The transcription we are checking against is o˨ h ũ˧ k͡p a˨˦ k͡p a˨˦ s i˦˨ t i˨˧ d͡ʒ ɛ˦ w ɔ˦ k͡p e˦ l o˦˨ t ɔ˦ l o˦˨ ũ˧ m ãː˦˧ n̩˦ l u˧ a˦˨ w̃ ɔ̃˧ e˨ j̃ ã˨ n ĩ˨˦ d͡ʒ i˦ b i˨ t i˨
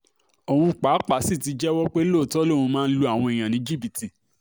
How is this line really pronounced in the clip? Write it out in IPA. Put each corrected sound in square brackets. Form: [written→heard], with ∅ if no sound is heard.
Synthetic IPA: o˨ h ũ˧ k͡p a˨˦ k͡p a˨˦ s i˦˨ t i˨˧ d͡ʒ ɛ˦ w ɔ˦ k͡p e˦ l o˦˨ t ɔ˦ l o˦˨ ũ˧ m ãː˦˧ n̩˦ l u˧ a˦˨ w̃ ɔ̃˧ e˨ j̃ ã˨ n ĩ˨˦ d͡ʒ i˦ b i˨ t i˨